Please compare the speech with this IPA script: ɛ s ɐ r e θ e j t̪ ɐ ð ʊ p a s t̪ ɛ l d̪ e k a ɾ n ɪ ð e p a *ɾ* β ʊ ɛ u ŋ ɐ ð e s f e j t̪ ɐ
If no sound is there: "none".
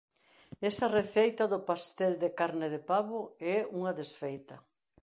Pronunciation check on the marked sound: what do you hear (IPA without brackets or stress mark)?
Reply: none